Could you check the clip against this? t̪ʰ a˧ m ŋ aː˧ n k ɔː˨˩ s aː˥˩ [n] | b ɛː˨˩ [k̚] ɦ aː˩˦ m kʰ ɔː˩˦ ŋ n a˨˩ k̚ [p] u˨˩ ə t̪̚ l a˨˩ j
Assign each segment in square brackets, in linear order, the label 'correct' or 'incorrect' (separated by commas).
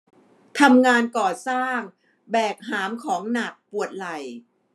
incorrect, correct, correct